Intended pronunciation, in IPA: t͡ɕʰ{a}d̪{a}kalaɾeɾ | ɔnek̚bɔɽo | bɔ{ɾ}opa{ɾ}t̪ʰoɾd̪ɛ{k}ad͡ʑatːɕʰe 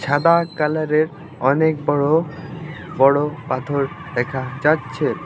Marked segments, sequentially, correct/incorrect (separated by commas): correct, correct, incorrect, incorrect, incorrect